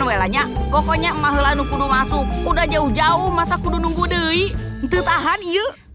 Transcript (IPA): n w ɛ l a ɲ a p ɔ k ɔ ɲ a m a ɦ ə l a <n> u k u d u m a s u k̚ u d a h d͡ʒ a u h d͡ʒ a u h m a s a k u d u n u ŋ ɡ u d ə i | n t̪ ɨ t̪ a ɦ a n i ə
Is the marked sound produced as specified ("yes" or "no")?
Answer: yes